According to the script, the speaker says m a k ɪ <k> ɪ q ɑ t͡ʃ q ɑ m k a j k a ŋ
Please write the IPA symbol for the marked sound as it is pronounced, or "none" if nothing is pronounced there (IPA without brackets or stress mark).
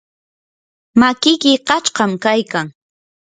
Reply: k